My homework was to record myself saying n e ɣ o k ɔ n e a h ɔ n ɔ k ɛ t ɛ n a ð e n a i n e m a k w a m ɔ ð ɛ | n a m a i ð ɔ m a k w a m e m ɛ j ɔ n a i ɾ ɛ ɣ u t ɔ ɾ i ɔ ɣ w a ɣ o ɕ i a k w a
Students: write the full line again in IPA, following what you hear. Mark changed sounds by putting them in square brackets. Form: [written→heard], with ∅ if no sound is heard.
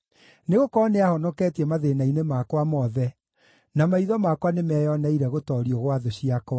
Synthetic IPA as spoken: n e ɣ o k ɔ n e a h ɔ n ɔ k ɛ t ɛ [n→m] a ð e n a i n e m a k w a m ɔ ð ɛ | n a m a i ð ɔ m a k w a [m→n] e m ɛ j ɔ n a i ɾ ɛ ɣ [u→o] t ɔ ɾ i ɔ ɣ w a [ɣ→ð] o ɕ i a k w a